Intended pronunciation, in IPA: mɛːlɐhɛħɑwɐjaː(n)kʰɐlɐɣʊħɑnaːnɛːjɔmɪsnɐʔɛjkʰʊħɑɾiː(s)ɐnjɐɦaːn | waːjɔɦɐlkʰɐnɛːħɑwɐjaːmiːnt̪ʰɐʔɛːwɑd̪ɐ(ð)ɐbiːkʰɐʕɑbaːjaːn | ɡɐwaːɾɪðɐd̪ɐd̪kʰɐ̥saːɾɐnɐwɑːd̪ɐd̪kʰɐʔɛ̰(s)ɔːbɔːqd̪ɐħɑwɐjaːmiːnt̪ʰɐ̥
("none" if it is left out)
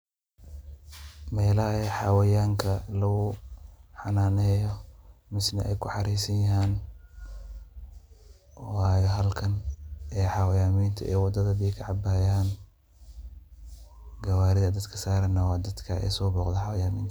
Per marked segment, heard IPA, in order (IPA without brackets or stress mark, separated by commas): ŋ, s, ð, s